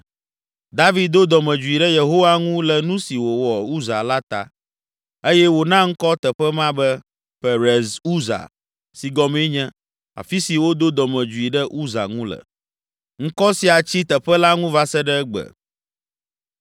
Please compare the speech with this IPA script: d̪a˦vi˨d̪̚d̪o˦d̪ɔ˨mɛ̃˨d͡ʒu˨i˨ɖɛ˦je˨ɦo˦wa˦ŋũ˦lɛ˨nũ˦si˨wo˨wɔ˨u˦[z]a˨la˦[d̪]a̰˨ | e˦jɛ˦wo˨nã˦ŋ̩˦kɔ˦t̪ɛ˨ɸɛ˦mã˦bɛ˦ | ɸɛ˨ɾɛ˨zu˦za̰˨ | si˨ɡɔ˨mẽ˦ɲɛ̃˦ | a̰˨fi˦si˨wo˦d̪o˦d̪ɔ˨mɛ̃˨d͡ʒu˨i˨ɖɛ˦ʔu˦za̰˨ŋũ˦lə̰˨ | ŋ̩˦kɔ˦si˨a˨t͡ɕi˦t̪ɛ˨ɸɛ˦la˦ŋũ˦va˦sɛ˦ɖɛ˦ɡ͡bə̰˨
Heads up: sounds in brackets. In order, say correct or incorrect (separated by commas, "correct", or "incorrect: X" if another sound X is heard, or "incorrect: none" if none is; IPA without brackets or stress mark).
correct, incorrect: t̪